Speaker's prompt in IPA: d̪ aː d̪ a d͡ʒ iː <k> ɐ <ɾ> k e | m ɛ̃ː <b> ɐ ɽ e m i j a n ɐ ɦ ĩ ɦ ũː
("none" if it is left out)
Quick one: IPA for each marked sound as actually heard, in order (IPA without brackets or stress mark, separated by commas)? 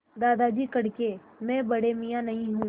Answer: k, ɽ, b